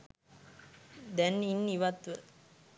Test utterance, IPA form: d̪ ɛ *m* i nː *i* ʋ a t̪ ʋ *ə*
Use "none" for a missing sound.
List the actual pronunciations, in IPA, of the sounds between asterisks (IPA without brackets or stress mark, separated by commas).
n, i, ə